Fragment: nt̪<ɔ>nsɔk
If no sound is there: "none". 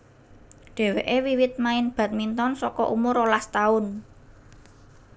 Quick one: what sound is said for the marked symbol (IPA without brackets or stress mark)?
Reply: ɔ